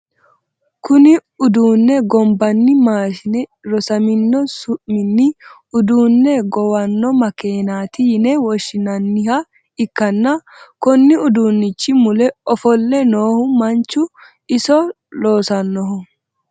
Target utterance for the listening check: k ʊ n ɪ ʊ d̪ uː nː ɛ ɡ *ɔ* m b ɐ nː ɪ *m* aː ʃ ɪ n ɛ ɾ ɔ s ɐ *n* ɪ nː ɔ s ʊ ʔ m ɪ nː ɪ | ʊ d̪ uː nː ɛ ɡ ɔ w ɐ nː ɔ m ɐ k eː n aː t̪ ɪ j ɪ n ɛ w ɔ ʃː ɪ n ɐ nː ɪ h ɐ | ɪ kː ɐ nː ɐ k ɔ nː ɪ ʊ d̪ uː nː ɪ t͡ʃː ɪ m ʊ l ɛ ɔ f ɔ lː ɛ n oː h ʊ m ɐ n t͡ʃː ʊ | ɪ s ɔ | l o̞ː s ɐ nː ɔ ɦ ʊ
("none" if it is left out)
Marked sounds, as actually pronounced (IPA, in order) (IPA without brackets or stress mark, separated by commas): ɔ, m, m